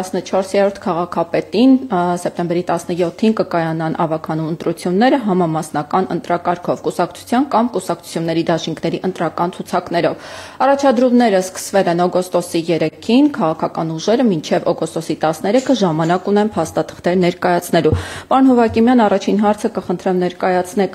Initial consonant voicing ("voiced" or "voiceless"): voiceless